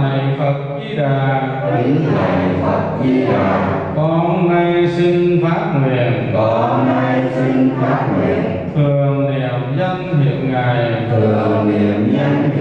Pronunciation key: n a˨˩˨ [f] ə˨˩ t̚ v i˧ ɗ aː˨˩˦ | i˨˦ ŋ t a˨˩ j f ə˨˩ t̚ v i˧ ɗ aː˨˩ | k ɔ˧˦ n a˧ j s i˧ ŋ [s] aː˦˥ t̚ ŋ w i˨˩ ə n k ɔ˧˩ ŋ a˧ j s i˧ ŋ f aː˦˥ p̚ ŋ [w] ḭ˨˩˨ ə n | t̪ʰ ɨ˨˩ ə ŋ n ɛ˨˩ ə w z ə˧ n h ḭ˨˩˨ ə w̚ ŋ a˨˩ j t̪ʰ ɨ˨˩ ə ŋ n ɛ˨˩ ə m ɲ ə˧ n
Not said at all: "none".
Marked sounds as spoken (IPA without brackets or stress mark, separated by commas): f, f, w